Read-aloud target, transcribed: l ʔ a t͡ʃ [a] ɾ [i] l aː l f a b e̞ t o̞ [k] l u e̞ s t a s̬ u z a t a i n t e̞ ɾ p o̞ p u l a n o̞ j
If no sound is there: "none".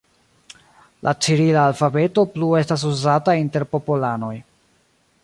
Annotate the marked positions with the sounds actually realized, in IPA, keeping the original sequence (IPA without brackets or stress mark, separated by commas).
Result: i, i, p